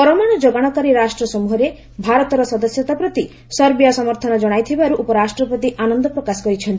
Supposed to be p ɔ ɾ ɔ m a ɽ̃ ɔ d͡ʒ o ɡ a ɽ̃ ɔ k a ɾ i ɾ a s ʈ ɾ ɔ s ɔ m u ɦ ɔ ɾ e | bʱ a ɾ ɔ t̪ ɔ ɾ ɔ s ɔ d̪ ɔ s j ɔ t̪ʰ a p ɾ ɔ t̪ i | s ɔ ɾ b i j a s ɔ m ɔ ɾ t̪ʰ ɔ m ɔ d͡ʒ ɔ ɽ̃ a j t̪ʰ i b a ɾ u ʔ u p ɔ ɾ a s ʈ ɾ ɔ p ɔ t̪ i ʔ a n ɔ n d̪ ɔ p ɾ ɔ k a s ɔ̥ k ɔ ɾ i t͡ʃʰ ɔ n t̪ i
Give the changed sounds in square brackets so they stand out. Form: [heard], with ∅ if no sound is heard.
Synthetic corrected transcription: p ɔ ɾ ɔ m a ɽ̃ ɔ d͡ʒ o ɡ a ɽ̃ ɔ k a ɾ i ɾ a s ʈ ɾ ɔ s ɔ m u ɦ ɔ ɾ e | bʱ a ɾ ɔ t̪ ɔ ɾ ɔ s ɔ d̪ ɔ s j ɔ [t̪] a p ɾ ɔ t̪ i | s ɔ ɾ b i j a s ɔ m ɔ ɾ t̪ʰ ɔ [n] ɔ d͡ʒ ɔ ɽ̃ a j t̪ʰ i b a ɾ u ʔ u p ɔ ɾ a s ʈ ɾ ɔ p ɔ t̪ i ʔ a n ɔ n d̪ ɔ p ɾ ɔ k a s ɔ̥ k ɔ ɾ i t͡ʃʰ ɔ n t̪ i

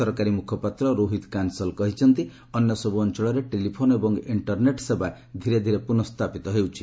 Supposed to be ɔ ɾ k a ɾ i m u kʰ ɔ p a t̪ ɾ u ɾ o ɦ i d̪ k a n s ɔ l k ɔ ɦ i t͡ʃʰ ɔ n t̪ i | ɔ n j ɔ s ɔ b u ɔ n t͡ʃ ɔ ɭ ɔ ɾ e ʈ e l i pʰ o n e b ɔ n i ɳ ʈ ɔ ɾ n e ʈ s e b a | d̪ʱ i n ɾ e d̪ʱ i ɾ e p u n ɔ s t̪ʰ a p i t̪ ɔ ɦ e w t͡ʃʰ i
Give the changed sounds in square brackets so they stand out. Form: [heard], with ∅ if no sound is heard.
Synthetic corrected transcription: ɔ ɾ k a ɾ i m u kʰ ɔ p a t̪ ɾ [ɔ] ɾ o ɦ i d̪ k a n s ɔ l k ɔ ɦ i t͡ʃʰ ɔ n t̪ i | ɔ n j ɔ s ɔ b u ɔ n t͡ʃ ɔ ɭ ɔ ɾ e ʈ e l i pʰ o n e b ɔ [ŋ] i ɳ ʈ ɔ ɾ n e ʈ s e b a | d̪ʱ i [∅] ɾ e d̪ʱ i ɾ e p u n ɔ s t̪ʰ a p i t̪ ɔ ɦ e w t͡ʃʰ i

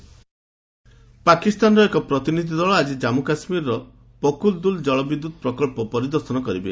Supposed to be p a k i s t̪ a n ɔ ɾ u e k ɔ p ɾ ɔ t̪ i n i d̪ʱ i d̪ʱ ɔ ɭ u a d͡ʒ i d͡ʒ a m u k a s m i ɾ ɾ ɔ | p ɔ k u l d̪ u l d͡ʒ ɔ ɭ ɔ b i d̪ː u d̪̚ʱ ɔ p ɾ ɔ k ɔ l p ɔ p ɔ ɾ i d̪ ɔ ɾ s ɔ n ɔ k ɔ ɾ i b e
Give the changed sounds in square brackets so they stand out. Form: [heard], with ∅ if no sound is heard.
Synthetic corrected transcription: p a k i s t̪ a n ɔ ɾ [ɔ] e k ɔ p ɾ ɔ t̪ i n i d̪ʱ i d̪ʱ ɔ ɭ [ɔ] a d͡ʒ i d͡ʒ a m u k a s m i ɾ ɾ ɔ | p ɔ k u l d̪ u l d͡ʒ ɔ ɭ ɔ b i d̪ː u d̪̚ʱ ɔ p ɾ ɔ k ɔ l p ɔ p ɔ ɾ i d̪ ɔ ɾ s ɔ n ɔ k ɔ ɾ i b e

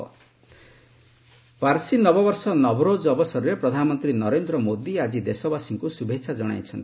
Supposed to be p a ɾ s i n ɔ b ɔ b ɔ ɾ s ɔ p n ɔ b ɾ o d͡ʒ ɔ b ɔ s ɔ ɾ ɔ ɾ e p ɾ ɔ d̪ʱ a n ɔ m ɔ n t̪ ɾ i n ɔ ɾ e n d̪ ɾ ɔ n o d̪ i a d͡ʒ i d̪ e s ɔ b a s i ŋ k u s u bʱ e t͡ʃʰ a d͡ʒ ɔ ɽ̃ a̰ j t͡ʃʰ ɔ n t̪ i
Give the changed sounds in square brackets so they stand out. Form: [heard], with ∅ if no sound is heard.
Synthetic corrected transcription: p a ɾ s i n ɔ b ɔ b ɔ ɾ s ɔ [∅] n ɔ b ɾ o d͡ʒ ɔ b ɔ s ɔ ɾ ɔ ɾ e p ɾ ɔ d̪ʱ a n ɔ m ɔ n t̪ ɾ i n ɔ ɾ e n d̪ ɾ ɔ [m] o d̪ i a d͡ʒ i d̪ e s ɔ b a s i ŋ k u s u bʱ e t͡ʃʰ a d͡ʒ ɔ ɽ̃ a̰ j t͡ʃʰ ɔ n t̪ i

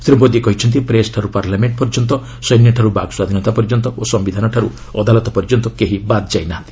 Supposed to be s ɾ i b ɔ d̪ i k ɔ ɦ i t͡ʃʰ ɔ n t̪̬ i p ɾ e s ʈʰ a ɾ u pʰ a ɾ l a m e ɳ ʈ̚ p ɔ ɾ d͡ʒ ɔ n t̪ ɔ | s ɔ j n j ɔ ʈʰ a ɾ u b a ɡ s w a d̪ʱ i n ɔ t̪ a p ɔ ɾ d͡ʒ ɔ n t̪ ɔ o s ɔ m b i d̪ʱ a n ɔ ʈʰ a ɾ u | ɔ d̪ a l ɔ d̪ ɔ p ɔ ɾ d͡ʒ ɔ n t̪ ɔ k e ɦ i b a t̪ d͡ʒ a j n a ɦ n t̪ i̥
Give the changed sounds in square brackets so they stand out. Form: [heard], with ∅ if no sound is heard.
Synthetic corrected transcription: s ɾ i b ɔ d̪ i k ɔ ɦ i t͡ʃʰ ɔ n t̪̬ i p ɾ e s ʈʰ a ɾ u [p] a ɾ l a m e ɳ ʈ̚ p ɔ ɾ d͡ʒ ɔ n t̪ ɔ | s ɔ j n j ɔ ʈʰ a ɾ u b a ɡ s w a d̪ʱ i n ɔ t̪ a p ɔ ɾ d͡ʒ ɔ n t̪ ɔ o s ɔ m b i d̪ʱ a n ɔ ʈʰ a ɾ u | ɔ d̪ a l ɔ [t̪] ɔ p ɔ ɾ d͡ʒ ɔ n t̪ ɔ k e ɦ i b a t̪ d͡ʒ a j n a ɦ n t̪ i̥

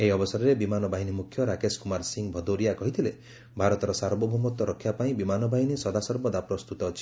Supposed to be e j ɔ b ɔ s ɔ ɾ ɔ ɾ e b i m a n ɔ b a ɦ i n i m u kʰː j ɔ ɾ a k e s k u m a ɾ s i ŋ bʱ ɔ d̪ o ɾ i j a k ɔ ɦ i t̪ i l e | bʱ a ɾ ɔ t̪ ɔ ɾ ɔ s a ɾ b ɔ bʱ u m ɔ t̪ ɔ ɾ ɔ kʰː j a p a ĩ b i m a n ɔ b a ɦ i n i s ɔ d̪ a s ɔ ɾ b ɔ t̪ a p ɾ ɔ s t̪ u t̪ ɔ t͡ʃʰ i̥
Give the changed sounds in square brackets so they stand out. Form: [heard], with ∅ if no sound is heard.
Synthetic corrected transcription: e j ɔ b ɔ s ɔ ɾ ɔ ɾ e b i m a n ɔ b a ɦ i n i m u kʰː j ɔ ɾ a k e s k u m a ɾ s i ŋ bʱ ɔ d̪ o ɾ i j a k ɔ ɦ i [t̪ʰ] i l e | bʱ a ɾ ɔ t̪ ɔ ɾ ɔ s a ɾ b ɔ bʱ u m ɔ t̪ ɔ ɾ ɔ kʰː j a p a ĩ b i m a n ɔ b a ɦ i n i s ɔ d̪ a s ɔ ɾ b ɔ [d̪] a p ɾ ɔ s t̪ u t̪ ɔ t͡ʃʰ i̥

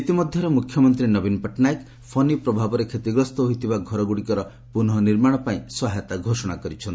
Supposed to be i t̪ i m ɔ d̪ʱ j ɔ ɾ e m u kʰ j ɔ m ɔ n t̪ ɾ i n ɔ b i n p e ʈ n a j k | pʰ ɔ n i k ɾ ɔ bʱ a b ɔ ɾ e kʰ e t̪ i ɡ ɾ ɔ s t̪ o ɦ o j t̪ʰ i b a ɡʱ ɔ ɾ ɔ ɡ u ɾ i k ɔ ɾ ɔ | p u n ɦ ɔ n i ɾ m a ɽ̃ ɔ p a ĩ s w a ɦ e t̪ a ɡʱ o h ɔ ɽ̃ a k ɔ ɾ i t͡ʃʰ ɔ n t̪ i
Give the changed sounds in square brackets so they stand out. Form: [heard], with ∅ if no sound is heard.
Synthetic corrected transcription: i t̪ i m ɔ d̪ʱ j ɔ ɾ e m u kʰ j ɔ m ɔ n t̪ ɾ i n ɔ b i n p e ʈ n a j k | pʰ ɔ n i [p] ɾ ɔ bʱ a b ɔ ɾ e kʰ e t̪ i ɡ ɾ ɔ s t̪ [ɔ] ɦ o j t̪ʰ i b a ɡʱ ɔ ɾ ɔ ɡ u [ɽ] i k ɔ ɾ ɔ | p u n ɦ ɔ n i ɾ m a ɽ̃ ɔ p a ĩ s w a ɦ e t̪ a ɡʱ o [s] ɔ ɽ̃ a k ɔ ɾ i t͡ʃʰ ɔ n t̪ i

